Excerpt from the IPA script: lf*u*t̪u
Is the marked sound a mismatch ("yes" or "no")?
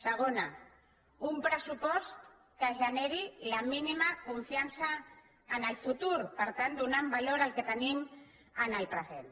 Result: no